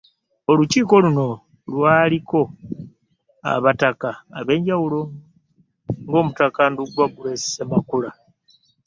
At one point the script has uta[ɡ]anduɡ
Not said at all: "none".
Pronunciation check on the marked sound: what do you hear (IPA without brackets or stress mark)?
k